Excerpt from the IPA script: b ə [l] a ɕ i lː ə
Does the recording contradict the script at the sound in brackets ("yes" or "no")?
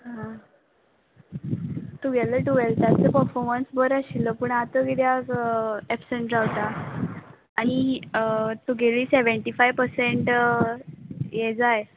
yes